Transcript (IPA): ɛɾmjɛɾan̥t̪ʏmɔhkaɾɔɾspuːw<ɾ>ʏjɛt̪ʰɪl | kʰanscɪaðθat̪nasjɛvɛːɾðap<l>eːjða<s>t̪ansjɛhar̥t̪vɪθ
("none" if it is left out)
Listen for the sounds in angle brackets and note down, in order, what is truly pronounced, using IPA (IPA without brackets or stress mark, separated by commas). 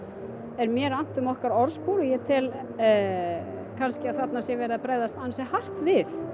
ɾ, ɾ, s